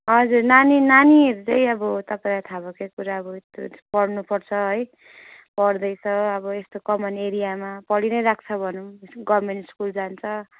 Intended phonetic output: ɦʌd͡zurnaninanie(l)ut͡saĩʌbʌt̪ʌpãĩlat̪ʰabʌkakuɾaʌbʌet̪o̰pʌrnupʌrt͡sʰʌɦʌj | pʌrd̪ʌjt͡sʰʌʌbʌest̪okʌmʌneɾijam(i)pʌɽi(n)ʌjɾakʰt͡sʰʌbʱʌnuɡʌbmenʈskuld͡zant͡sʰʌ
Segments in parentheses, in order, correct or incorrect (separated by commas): incorrect, incorrect, correct